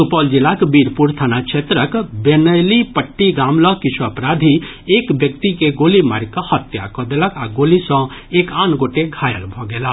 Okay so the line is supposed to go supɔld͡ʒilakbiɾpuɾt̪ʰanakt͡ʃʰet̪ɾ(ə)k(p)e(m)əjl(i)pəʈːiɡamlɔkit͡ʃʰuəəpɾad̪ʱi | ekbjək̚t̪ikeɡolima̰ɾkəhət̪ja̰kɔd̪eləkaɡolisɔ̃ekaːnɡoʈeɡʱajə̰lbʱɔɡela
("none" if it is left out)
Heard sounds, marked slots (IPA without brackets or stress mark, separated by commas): ə, b, n, i